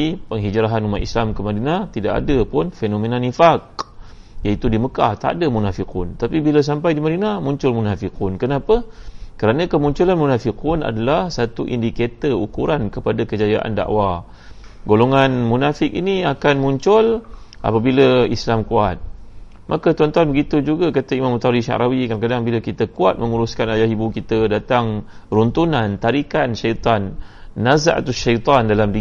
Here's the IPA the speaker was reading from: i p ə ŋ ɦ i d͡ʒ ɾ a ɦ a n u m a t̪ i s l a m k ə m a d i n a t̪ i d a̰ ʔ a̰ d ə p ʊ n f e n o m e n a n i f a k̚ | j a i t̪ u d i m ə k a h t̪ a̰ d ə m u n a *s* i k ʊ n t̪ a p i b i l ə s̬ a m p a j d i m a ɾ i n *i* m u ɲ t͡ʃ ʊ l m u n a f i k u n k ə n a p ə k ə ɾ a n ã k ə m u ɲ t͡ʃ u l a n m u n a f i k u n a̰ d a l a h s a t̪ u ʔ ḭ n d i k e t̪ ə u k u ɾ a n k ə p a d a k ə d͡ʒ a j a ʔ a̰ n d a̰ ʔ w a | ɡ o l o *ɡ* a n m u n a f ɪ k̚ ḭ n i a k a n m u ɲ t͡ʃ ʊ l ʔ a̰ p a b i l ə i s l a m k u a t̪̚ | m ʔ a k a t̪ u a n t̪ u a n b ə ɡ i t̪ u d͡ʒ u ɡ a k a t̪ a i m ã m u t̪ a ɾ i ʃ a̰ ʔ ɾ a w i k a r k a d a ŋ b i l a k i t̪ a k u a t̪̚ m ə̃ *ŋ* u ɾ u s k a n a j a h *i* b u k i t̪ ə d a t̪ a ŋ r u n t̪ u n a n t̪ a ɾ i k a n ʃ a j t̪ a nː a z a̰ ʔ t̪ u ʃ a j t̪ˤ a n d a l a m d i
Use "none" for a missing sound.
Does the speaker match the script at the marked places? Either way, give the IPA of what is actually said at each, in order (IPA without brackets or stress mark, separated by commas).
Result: f, a, ŋ, ŋ, i